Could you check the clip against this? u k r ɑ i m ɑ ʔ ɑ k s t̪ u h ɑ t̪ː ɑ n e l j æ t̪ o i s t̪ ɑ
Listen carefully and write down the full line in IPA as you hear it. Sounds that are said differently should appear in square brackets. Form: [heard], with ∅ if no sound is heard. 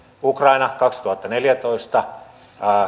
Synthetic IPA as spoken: u k r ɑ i [n] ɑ [k] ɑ k s t̪ u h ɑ t̪ː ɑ n e l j æ t̪ o i s t̪ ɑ